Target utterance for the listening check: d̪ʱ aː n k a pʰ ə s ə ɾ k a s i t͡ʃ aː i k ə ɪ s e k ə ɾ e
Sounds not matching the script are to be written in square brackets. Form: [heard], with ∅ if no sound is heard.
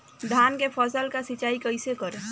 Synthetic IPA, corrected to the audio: d̪ʱ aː n k [e] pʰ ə s ə [l] k a s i t͡ʃ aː i k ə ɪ s e k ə ɾ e